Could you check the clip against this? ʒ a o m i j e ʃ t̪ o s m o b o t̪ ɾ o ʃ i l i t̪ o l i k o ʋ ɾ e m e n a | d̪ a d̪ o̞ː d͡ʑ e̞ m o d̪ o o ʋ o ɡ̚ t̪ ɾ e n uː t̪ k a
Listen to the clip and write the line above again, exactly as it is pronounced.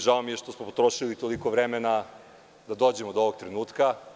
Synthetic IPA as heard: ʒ a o m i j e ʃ t̪ o s m o p o t̪ ɾ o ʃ i l i t̪ o l i k o ʋ ɾ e m e n a | d̪ a d̪ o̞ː d͡ʑ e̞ m o d̪ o o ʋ o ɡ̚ t̪ ɾ e n uː t̪ k a